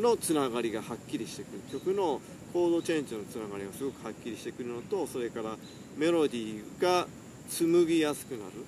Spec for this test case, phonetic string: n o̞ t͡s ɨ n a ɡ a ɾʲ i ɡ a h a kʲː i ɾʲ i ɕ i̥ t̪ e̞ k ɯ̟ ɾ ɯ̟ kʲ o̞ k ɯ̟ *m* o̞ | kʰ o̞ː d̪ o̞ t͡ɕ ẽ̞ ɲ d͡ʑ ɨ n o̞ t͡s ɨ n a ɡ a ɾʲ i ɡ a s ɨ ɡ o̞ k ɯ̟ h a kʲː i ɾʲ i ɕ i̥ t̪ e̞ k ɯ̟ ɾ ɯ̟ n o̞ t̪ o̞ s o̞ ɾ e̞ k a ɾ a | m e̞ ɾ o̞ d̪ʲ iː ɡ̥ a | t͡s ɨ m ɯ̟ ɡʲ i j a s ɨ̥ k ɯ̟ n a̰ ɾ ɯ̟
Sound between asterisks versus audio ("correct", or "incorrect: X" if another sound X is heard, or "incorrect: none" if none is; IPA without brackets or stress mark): incorrect: n